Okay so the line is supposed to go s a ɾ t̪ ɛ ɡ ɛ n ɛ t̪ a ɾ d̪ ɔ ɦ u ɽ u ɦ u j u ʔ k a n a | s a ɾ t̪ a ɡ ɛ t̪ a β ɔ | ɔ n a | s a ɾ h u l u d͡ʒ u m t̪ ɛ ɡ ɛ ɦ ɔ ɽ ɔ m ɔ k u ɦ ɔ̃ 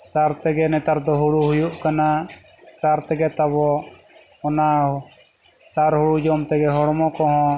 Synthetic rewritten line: s a ɾ t̪ ɛ ɡ ɛ n ɛ t̪ a ɾ d̪ ɔ ɦ u ɽ u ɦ u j u ʔ k a n a | s a ɾ t̪ ɛ ɡ ɛ t̪ a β ɔ | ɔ n a | s a ɾ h u ɽ u d͡ʒ ɔ m t̪ ɛ ɡ ɛ ɦ ɔ ɽ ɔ m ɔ k ɔ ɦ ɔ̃